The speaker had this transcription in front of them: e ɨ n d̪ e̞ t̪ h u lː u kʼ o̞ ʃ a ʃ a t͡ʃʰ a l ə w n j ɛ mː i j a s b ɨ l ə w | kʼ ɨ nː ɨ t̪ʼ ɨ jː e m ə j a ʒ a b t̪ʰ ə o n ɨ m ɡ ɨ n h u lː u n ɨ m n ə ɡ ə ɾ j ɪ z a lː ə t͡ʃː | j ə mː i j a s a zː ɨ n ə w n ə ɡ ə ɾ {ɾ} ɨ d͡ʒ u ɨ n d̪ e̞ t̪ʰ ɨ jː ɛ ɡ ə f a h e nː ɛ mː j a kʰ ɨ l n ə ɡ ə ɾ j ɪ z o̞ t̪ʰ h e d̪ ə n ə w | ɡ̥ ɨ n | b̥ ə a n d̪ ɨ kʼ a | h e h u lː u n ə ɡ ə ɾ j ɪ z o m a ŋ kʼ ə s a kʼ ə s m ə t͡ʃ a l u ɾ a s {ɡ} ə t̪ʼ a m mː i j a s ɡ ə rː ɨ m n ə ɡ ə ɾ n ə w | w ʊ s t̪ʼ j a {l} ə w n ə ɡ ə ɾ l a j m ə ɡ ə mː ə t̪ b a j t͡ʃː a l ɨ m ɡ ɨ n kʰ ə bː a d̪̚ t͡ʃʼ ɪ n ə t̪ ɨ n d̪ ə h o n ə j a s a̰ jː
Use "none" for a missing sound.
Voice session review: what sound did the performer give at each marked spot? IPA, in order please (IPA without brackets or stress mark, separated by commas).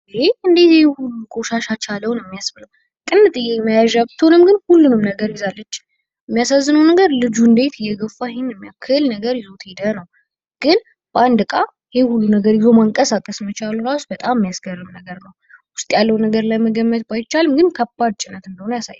l, b, lː